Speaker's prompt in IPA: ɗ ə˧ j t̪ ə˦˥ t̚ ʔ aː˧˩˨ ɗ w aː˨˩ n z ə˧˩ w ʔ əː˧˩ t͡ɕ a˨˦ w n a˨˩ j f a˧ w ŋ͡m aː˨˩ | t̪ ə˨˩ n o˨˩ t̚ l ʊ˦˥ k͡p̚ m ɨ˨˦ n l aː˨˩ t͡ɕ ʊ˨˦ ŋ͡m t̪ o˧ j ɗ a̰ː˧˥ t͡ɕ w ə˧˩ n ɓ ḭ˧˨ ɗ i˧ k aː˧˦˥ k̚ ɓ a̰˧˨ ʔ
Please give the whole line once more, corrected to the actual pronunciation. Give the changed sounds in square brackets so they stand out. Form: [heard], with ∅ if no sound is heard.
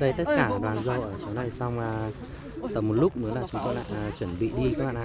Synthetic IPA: ɗ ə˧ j t̪ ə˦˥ t̚ [k] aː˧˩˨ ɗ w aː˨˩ n z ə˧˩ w ʔ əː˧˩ t͡ɕ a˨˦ w n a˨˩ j [s] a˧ w ŋ͡m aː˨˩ | t̪ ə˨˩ [m] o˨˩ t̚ l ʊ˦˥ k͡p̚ m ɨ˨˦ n l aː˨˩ t͡ɕ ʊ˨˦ ŋ͡m t̪ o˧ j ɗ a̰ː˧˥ t͡ɕ w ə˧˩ n ɓ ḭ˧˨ ɗ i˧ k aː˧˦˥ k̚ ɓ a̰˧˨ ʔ